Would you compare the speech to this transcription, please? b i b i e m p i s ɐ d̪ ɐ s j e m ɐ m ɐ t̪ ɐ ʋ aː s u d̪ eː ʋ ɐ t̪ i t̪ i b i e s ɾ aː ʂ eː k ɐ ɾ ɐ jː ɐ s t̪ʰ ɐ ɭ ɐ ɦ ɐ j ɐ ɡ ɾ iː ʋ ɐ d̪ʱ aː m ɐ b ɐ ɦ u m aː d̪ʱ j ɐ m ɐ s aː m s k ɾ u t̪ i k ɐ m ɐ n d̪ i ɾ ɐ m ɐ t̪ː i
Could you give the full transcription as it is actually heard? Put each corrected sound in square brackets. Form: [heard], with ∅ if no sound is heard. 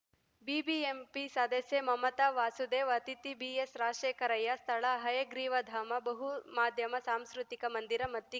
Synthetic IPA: b i b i e m p i s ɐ d̪ ɐ s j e m ɐ m ɐ t̪ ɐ ʋ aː s u d̪ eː ʋ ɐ t̪ i t̪ i b i e s ɾ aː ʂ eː k ɐ ɾ ɐ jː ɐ s t̪ʰ ɐ ɭ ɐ ɦ ɐ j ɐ ɡ ɾ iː ʋ ɐ d̪ʱ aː m ɐ b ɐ ɦ u m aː d̪ʱ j ɐ m ɐ s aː m s k ɾ u t̪ i k ɐ m ɐ n d̪ i ɾ ɐ m ɐ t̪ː i